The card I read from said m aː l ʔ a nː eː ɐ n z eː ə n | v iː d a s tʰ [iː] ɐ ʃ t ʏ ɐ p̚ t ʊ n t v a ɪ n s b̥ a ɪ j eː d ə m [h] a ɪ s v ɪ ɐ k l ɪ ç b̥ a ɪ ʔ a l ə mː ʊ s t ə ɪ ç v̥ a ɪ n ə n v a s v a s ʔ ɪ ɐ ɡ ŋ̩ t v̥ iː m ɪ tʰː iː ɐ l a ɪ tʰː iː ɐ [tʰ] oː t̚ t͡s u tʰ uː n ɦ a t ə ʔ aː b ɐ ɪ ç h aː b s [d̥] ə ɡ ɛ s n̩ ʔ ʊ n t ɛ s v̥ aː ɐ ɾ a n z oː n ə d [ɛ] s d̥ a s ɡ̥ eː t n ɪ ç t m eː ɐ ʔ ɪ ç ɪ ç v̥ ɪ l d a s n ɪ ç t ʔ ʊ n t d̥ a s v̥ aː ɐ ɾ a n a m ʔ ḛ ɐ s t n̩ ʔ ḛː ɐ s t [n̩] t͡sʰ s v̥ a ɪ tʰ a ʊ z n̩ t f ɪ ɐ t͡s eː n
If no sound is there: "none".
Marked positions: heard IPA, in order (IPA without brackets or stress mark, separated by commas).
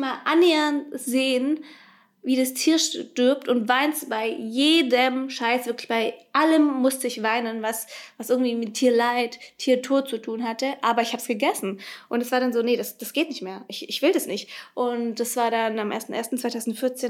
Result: iː, ʃ, tʰ, ɡ̥, a, n̩